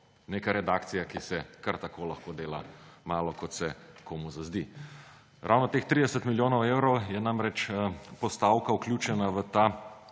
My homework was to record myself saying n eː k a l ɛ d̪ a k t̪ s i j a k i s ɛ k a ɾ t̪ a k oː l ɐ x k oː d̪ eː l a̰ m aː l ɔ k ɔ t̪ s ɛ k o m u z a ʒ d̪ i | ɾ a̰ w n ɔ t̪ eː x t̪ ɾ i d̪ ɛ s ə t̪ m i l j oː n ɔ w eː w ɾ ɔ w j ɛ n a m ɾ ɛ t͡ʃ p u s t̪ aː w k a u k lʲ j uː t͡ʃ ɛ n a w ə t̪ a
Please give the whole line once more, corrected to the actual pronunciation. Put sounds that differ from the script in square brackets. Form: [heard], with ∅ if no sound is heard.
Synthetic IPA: n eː k a [ɾ] ɛ d̪ a k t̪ s i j a k i s ɛ k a ɾ t̪ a k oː l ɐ x k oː d̪ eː l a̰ m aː l ɔ k ɔ t̪ s ɛ k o m u z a [z] d̪ i | ɾ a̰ w n ɔ t̪ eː x t̪ ɾ i d̪ ɛ s ə t̪ m i l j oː n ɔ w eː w ɾ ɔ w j ɛ n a m ɾ ɛ t͡ʃ p [ɔ] s t̪ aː w k a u k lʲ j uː t͡ʃ ɛ n a [ʋ] ə t̪ a

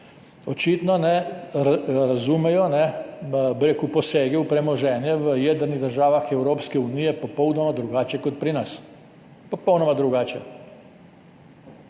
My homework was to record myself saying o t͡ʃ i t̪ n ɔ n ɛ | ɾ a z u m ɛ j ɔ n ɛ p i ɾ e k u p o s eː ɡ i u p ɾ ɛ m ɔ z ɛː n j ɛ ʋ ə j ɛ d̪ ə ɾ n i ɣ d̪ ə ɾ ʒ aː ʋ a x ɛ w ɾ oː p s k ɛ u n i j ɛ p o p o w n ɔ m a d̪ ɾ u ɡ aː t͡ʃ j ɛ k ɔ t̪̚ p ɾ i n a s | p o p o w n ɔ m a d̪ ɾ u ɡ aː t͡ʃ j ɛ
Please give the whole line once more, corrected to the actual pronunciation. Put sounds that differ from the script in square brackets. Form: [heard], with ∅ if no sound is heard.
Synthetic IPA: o t͡ʃ i t̪ n ɔ n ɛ | ɾ a z u m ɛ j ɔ n ɛ [b] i ɾ e k u p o s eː ɡ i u p ɾ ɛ m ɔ [ʒ] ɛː n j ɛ ʋ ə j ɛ d̪ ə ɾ n i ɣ d̪ ə ɾ ʒ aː ʋ a x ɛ w ɾ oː p s k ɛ u n i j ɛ p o p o w n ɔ m a d̪ ɾ u ɡ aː t͡ʃ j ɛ k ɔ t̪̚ p ɾ i n a s | p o p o w n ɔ m a d̪ ɾ u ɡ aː t͡ʃ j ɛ

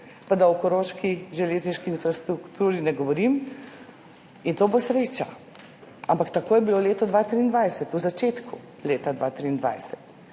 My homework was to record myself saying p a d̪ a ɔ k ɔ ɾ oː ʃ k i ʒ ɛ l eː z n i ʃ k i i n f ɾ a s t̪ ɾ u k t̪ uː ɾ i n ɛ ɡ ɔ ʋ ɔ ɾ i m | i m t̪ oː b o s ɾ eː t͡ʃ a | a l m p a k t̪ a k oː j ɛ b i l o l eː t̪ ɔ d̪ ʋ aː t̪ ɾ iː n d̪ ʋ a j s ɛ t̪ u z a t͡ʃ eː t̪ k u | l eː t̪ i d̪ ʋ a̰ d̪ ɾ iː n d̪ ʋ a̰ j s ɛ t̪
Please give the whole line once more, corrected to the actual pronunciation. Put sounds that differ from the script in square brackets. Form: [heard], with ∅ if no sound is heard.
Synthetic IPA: p a d̪ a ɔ k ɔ ɾ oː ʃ k i ʒ ɛ l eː z n i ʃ k i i n f ɾ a s t̪ ɾ u k t̪ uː ɾ i n ɛ ɡ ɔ ʋ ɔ ɾ i m | i [n] t̪ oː b o s ɾ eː t͡ʃ a | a [∅] m p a k t̪ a k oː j ɛ b i l o l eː t̪ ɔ d̪ ʋ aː t̪ ɾ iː n d̪ ʋ a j s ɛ t̪ u z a t͡ʃ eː t̪ k u | l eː t̪ [a] d̪ ʋ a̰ [t̪] ɾ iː n d̪ ʋ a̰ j s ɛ t̪

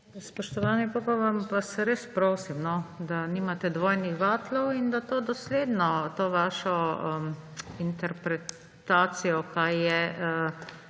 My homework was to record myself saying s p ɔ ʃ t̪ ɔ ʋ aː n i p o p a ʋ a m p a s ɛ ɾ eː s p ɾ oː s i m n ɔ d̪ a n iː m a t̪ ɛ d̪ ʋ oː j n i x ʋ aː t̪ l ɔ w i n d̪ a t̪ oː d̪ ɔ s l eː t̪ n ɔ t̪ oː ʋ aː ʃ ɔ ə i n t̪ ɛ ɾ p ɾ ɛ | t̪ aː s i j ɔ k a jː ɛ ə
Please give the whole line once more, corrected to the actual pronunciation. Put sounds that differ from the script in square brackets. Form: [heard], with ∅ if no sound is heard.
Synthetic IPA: s p ɔ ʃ t̪ ɔ ʋ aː n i p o p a ʋ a m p a s ɛ ɾ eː s p ɾ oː s i m n ɔ d̪ a n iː m a t̪ ɛ d̪ ʋ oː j n i x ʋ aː t̪ l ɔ w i n d̪ a t̪ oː d̪ ɔ s l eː [d̪] n ɔ t̪ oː ʋ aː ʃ ɔ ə i n t̪ ɛ ɾ p ɾ ɛ | t̪ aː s i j ɔ k a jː ɛ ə

